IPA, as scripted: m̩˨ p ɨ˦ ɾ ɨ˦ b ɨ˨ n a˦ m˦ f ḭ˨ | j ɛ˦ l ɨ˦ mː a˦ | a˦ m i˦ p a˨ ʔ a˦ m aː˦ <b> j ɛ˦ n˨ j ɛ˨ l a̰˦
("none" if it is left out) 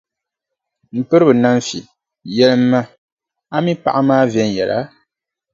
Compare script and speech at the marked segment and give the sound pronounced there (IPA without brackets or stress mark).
v